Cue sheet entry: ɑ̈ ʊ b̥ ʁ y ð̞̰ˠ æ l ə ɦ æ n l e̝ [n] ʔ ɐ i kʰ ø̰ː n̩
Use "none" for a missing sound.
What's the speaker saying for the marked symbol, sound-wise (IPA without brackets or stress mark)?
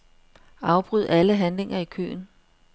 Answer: ŋ